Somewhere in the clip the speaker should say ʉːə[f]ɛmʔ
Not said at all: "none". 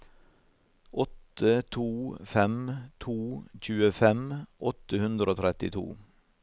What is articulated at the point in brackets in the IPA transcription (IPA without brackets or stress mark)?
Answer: f